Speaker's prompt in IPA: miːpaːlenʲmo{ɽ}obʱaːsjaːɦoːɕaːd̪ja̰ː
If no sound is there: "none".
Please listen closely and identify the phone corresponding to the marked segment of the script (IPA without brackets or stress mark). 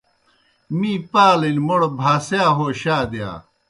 ɽ